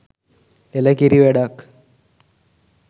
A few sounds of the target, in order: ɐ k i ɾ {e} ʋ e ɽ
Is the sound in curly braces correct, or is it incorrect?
incorrect